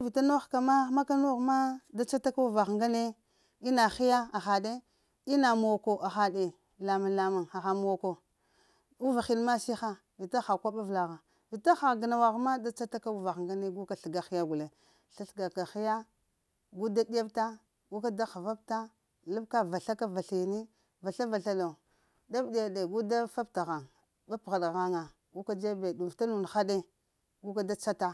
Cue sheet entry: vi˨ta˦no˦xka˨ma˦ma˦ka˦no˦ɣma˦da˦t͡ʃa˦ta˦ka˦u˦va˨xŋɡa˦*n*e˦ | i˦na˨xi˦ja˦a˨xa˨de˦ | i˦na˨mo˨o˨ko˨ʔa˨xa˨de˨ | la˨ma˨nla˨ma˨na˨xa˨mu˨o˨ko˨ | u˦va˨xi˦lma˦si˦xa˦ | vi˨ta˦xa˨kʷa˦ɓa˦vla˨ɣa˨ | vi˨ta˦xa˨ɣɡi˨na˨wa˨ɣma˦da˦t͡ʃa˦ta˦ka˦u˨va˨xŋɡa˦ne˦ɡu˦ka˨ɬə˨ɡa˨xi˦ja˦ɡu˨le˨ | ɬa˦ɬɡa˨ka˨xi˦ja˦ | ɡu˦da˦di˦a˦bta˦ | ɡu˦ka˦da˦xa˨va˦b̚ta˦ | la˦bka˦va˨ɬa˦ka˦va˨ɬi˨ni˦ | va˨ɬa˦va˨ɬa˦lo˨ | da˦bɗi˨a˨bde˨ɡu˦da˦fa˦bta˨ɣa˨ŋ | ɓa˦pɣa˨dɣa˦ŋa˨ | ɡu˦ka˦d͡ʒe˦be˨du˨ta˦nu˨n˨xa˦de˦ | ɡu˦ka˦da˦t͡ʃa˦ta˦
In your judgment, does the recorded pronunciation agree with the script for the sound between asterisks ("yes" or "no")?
yes